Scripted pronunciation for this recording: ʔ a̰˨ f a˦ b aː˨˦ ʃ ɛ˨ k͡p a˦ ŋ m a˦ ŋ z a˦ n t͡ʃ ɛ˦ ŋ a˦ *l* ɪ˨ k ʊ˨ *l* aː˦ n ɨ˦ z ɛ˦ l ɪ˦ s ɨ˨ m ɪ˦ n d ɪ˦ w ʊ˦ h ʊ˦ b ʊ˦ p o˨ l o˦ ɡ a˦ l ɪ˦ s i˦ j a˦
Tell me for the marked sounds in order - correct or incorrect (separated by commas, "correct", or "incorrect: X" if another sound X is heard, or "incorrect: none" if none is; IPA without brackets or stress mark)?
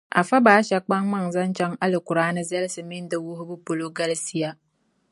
correct, incorrect: ɾ